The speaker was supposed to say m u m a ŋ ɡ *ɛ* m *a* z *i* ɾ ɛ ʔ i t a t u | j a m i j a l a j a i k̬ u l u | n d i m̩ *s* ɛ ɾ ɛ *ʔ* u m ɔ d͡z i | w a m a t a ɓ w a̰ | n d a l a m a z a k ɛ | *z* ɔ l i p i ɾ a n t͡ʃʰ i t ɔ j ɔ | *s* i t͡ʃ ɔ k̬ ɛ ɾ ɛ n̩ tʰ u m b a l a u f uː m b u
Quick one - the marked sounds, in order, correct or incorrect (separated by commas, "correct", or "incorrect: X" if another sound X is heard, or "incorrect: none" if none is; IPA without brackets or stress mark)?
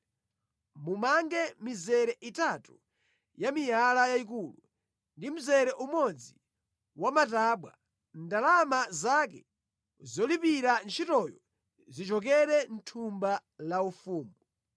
correct, incorrect: i, incorrect: ɛ, incorrect: z, correct, correct, incorrect: z